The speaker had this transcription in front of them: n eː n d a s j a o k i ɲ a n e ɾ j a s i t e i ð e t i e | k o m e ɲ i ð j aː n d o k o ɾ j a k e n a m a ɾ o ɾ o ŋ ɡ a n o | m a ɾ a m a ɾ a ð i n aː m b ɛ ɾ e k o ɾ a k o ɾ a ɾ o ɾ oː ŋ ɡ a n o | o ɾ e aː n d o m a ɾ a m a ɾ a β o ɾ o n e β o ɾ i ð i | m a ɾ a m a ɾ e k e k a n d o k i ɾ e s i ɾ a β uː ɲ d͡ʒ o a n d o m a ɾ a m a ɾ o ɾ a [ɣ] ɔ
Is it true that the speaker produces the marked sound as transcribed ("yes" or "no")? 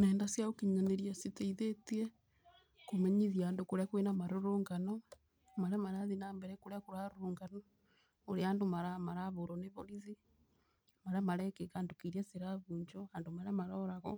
yes